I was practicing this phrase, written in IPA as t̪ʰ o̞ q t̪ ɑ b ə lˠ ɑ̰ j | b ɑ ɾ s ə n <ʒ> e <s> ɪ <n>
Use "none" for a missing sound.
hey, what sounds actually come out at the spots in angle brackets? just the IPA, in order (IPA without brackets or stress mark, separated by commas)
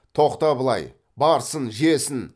ʒ, s, n